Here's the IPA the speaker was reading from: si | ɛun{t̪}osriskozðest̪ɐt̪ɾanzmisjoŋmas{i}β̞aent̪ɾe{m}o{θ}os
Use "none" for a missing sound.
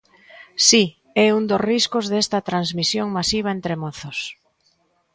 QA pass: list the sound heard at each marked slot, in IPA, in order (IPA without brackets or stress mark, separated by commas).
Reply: d̪, i, m, θ